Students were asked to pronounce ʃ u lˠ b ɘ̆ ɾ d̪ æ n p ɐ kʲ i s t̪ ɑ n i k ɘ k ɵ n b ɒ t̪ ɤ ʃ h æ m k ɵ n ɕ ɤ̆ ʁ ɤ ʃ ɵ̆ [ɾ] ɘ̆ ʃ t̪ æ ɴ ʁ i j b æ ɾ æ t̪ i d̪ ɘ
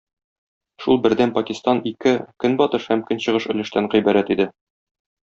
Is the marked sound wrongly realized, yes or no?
yes